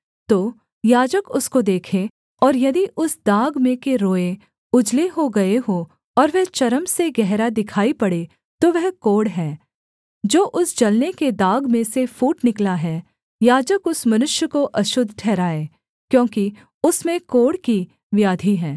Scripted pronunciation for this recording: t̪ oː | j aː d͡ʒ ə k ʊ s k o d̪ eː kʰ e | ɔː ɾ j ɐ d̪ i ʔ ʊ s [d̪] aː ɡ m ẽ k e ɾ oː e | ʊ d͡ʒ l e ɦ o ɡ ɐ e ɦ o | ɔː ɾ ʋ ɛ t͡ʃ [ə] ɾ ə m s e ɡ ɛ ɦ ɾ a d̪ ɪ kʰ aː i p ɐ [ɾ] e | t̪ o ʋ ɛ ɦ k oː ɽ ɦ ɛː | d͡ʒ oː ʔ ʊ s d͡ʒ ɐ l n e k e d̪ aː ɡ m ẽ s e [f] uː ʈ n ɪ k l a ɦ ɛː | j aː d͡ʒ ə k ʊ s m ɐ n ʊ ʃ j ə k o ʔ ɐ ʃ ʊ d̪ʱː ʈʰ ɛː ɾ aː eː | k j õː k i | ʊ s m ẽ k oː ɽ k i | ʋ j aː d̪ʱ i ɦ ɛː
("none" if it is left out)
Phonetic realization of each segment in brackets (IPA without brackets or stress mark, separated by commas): d̪, ɐ, ɽ, f